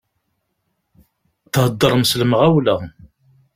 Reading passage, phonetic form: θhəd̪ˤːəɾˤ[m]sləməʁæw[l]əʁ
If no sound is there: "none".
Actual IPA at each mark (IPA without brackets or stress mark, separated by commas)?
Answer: m, l